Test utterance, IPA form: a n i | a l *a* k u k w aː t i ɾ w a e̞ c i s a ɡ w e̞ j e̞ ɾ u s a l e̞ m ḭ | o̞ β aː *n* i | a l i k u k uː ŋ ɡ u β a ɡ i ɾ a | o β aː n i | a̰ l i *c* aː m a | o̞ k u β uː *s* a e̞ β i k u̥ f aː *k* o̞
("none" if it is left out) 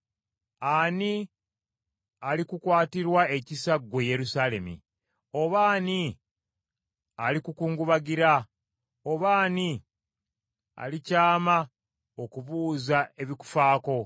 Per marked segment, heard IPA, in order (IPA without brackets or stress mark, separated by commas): i, n, c, z, k